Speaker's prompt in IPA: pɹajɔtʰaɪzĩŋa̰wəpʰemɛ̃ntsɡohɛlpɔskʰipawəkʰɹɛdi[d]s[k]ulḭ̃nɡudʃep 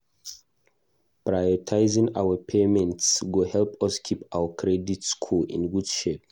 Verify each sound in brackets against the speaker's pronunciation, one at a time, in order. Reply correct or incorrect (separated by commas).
incorrect, incorrect